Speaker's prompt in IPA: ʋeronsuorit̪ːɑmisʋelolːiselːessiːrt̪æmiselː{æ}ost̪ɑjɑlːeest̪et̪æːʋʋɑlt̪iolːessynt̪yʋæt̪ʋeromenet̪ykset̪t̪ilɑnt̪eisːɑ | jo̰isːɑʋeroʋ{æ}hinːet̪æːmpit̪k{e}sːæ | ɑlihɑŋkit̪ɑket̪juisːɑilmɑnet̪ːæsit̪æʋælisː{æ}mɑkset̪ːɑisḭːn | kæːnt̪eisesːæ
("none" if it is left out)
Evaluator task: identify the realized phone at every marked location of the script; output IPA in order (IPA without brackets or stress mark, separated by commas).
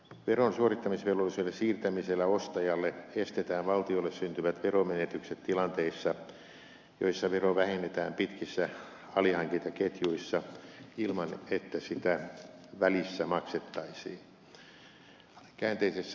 æ, æ, i, æ